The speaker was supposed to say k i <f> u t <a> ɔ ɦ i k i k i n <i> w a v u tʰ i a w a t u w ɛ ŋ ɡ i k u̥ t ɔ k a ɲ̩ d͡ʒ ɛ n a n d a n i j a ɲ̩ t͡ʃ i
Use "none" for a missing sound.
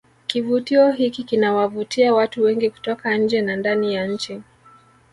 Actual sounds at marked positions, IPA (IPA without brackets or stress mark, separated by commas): v, i, a